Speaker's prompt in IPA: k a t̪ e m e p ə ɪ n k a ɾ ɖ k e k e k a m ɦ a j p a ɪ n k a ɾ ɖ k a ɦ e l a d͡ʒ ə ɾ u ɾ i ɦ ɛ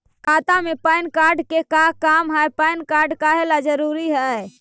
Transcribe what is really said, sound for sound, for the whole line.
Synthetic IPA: k a t̪ a m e p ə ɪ n k a ɾ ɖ k e k a k a m ɦ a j p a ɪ n k a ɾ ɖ k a ɦ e l a d͡ʒ ə ɾ u ɾ i ɦ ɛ